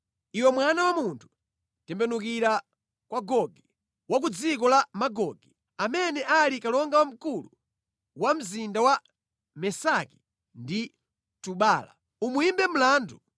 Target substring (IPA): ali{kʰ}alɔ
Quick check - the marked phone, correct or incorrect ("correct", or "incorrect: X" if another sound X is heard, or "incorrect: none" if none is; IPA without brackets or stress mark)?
incorrect: k